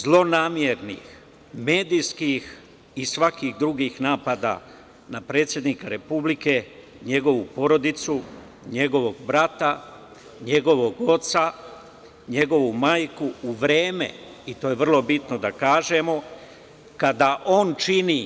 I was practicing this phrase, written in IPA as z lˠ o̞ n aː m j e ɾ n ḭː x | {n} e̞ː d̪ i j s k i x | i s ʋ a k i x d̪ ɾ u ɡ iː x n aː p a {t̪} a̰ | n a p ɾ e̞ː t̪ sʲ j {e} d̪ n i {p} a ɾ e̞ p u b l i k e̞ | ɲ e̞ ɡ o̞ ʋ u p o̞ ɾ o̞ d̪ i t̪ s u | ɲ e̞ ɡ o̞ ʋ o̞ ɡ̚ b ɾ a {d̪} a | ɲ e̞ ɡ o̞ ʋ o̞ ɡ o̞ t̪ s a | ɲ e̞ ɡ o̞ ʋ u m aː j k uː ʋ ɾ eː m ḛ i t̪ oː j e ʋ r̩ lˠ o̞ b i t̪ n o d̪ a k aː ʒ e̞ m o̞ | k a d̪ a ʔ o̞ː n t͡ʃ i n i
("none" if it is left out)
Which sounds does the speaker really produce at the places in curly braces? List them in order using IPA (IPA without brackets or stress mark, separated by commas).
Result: m, d̪, e, k, t̪